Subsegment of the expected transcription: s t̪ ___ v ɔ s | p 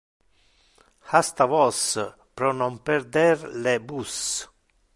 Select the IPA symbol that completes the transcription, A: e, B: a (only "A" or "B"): B